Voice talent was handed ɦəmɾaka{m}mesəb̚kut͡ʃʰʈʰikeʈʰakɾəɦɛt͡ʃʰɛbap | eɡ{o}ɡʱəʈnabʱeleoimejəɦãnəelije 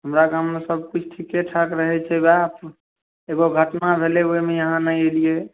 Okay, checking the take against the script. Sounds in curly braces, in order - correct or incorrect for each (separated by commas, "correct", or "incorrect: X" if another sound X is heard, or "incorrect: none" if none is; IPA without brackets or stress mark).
correct, correct